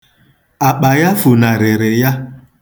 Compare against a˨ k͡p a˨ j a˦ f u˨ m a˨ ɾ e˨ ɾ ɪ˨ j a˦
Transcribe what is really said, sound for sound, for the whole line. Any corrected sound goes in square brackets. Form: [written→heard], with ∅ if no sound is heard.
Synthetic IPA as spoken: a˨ k͡p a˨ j a˦ f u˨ [m→n] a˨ ɾ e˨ ɾ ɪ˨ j a˦